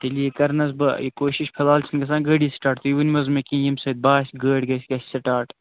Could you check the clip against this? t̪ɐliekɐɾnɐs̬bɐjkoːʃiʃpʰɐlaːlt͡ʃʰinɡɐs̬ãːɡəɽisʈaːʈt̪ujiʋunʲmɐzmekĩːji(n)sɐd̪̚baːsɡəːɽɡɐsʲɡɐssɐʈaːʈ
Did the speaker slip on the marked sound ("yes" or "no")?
yes